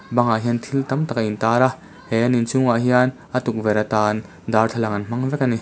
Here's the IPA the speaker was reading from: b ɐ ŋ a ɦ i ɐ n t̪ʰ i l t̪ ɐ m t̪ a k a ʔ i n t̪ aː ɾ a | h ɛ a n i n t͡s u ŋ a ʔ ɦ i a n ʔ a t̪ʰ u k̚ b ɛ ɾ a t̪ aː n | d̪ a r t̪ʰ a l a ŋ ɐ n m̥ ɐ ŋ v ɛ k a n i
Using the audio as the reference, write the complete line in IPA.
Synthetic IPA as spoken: b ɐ ŋ a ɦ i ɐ n t̪ʰ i l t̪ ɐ m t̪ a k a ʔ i n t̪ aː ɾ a | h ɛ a n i n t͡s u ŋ a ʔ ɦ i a n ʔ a t̪ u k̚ v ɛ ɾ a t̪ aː n | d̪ a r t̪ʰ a l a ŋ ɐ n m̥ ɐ ŋ v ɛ k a n i

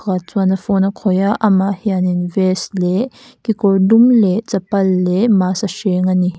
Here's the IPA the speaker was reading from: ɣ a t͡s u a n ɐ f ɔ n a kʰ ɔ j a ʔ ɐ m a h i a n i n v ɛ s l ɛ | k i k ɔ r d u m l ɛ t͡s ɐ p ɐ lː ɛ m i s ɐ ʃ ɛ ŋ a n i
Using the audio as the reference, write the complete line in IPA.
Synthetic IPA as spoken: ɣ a t͡s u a n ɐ f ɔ n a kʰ ɔ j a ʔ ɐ m a h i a n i n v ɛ s l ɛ | k i k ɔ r d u m l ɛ t͡s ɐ p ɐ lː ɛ m a s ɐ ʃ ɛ ŋ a n i

